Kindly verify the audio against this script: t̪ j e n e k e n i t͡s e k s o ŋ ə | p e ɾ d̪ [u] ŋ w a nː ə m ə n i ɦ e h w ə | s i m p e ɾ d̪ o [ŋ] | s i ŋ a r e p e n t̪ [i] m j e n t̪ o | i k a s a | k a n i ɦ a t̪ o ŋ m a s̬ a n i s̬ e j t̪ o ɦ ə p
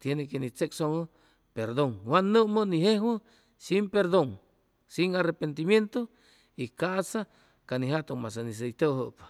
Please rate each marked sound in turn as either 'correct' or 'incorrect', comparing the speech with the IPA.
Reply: incorrect: o, correct, correct

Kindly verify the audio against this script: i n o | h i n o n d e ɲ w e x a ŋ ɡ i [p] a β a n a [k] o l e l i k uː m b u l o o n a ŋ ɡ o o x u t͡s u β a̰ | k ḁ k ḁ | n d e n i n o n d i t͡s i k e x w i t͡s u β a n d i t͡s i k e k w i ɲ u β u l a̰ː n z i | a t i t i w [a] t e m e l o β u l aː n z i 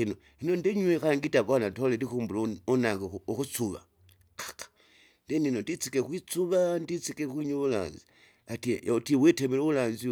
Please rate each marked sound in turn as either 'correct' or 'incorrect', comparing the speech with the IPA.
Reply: incorrect: t, incorrect: t, incorrect: e

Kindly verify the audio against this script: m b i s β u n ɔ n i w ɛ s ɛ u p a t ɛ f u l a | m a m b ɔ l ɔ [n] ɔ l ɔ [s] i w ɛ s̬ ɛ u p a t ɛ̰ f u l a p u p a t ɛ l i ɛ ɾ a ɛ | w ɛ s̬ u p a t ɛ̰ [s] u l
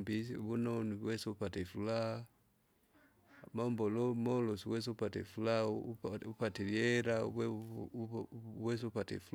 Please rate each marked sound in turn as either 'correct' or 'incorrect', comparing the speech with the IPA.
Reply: incorrect: m, correct, incorrect: f

